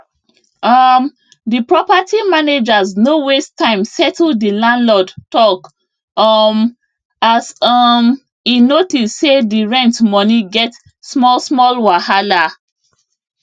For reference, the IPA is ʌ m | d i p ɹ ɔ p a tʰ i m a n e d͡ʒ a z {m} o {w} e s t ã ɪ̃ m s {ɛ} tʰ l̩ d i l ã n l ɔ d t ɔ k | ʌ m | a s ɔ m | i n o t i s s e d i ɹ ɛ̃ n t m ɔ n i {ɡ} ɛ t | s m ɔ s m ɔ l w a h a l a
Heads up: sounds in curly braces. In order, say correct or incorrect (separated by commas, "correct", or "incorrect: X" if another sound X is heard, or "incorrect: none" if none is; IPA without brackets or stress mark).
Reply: incorrect: n, correct, correct, correct